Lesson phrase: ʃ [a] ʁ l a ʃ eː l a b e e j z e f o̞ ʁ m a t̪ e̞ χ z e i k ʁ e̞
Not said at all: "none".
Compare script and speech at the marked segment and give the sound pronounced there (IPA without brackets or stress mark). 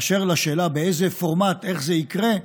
e